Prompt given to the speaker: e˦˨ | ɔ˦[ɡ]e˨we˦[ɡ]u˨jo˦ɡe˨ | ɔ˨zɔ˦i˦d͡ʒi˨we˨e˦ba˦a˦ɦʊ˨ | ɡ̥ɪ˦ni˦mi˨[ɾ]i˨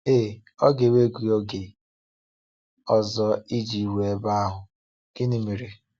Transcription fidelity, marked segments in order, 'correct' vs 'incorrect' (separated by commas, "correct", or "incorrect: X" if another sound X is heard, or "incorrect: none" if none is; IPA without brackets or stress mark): correct, correct, correct